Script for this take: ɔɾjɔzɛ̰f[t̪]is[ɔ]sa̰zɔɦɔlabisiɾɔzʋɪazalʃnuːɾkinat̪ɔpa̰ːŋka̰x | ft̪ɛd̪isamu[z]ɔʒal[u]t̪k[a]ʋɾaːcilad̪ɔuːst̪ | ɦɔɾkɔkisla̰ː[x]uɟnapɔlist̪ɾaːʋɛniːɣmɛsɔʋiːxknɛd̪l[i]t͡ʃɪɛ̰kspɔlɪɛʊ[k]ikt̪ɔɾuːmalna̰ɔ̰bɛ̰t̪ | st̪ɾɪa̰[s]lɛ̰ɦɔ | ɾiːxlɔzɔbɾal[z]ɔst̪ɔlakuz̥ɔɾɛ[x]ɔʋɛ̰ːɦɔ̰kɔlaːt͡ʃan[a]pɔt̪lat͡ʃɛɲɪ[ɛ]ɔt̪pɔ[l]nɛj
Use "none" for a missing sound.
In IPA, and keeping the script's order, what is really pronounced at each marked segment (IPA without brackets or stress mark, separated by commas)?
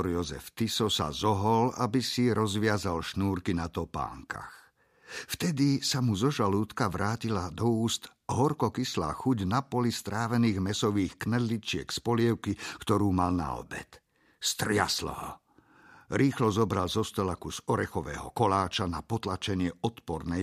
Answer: t̪, ɔ, z, uː, a, x, i, k, s, z, x, a, ɛ, ɾ